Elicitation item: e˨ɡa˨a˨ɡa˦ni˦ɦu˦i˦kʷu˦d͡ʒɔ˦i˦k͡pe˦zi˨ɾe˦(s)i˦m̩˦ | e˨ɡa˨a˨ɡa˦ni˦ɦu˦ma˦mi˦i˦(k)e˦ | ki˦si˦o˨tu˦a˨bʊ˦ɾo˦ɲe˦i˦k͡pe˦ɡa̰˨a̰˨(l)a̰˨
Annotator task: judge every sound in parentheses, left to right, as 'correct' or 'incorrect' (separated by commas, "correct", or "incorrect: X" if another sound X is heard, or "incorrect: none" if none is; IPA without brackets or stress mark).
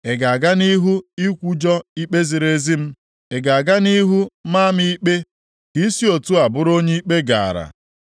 incorrect: z, incorrect: k͡p, incorrect: ɾ